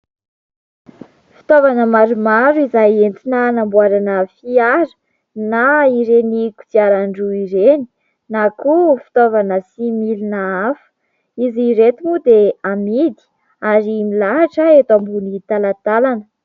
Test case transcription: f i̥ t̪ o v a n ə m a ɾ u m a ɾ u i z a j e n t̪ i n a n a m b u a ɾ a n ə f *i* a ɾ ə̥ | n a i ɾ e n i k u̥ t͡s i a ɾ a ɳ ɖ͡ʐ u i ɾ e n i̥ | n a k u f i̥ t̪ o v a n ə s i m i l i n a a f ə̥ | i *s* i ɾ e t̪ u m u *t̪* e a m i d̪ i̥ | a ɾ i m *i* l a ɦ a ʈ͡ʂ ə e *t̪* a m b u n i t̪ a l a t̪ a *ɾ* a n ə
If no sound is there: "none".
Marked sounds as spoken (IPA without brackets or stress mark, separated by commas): i, z, d̪, i, t̪, l